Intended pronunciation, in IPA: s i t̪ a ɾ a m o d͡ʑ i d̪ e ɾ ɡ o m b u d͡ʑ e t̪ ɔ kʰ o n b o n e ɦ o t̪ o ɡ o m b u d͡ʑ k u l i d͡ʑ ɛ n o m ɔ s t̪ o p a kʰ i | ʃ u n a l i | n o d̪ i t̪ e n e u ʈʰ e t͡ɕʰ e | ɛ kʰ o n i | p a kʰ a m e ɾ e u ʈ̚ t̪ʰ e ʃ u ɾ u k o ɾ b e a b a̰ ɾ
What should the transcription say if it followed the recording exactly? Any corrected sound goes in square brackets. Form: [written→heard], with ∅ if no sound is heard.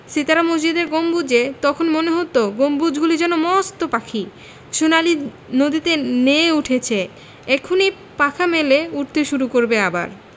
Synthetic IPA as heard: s i t̪ a ɾ a m o d͡ʑ i d̪ e ɾ ɡ o m b u d͡ʑ e t̪ ɔ kʰ o n [b→m] o n e ɦ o t̪ o ɡ o m b u d͡ʑ [k→ɡ] u l i d͡ʑ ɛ n o m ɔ s t̪ o p a kʰ i | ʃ u n a l i | n o d̪ i t̪ e n e u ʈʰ e t͡ɕʰ e | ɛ kʰ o n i | p a kʰ a m e [ɾ→l] e u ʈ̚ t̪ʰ e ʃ u ɾ u k o ɾ b e a b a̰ ɾ